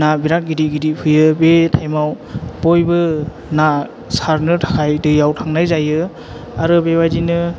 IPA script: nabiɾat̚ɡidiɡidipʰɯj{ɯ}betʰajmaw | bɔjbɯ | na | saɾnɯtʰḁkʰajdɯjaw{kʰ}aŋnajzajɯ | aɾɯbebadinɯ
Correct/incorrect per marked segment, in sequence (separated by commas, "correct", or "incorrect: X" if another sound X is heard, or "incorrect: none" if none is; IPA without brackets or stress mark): correct, incorrect: tʰ